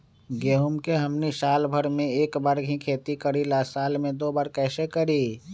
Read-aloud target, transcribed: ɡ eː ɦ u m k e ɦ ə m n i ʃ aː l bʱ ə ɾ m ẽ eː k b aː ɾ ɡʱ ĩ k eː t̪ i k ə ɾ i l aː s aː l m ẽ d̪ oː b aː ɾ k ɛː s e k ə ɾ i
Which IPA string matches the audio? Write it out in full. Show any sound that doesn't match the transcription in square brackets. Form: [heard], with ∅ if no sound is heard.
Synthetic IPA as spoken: ɡ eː ɦ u m k e ɦ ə m n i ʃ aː l bʱ ə ɾ m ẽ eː k b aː ɾ ɡʱ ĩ [kʰ] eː t̪ i k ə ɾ i l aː s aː l m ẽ d̪ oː b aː ɾ k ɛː s e k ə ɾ i

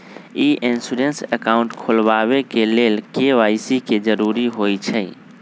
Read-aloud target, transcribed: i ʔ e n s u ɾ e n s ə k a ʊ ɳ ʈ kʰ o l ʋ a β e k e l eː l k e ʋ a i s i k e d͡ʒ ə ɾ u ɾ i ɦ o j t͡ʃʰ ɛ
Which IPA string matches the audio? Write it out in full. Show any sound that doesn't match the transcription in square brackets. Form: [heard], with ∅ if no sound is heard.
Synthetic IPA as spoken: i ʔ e n s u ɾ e n s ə k a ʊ ɳ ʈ kʰ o l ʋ a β e k e l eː l k e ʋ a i s i k e d͡ʒ ə ɾ u ɾ i ɦ o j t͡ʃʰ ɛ

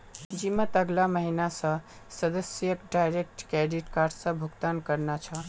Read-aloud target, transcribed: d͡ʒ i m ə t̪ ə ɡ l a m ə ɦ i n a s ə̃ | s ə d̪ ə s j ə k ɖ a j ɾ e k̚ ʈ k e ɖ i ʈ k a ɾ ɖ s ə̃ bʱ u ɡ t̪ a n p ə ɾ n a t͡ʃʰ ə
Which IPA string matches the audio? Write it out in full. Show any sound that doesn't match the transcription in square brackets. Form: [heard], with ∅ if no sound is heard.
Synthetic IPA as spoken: d͡ʒ i m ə t̪ ə ɡ l a m ə ɦ i n a s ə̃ | s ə d̪ ə s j ə k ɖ a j ɾ e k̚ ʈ k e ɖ i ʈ k a ɾ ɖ s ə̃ bʱ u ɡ t̪ a n [k] ə ɾ n a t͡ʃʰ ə

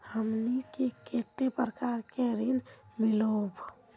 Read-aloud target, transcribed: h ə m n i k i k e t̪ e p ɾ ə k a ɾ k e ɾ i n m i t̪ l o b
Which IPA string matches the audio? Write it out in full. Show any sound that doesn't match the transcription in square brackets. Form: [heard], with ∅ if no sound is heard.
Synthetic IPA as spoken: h ə m n i k [e] k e t̪ e p ɾ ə k a ɾ k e ɾ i n m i [∅] l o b

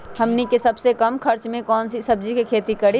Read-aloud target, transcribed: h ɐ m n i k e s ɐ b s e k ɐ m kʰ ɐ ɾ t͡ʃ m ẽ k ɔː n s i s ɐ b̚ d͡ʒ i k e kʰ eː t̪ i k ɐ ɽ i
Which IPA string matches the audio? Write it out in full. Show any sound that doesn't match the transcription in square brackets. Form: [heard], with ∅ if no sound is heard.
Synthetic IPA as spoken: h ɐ m n i k e s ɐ b s e k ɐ m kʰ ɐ ɾ t͡ʃ m ẽ k ɔː n s i s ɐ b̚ d͡ʒ i k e kʰ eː t̪ i k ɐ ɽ i

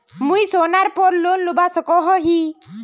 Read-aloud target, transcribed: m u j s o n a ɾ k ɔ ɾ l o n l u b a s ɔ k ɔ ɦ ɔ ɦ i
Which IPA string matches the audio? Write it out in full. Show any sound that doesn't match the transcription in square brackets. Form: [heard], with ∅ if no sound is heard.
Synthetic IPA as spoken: m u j s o n a ɾ [p] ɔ ɾ l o n l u b a s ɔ k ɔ ɦ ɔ ɦ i

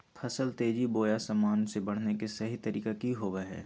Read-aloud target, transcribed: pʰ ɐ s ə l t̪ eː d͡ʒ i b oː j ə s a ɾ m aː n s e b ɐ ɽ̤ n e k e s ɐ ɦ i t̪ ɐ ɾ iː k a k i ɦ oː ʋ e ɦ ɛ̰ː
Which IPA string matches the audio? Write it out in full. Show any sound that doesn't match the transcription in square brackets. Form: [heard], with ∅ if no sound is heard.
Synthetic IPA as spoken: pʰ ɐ s ə l t̪ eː d͡ʒ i b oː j [a] s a [∅] m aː n s e b ɐ ɽ̤ n e k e s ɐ ɦ i t̪ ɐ ɾ iː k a k i ɦ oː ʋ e ɦ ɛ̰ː

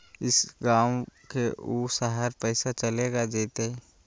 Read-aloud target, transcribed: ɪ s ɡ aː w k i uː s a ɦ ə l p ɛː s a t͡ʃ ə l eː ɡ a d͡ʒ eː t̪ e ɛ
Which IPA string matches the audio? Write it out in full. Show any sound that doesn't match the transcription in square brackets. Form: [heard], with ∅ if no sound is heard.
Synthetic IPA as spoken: ɪ s ɡ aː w k [e] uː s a ɦ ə [ɾ] p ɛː s a t͡ʃ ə l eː ɡ a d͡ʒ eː t̪ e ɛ

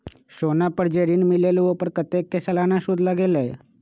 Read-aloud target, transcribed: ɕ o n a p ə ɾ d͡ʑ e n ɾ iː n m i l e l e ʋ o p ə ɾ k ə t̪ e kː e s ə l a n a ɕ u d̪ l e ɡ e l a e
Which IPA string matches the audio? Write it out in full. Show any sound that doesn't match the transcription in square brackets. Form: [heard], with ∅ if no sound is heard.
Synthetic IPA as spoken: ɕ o n a p ə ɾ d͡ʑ e [∅] ɾ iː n m i l e l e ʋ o p ə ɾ k ə t̪ e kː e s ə l a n a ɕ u d̪ l [a] ɡ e l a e

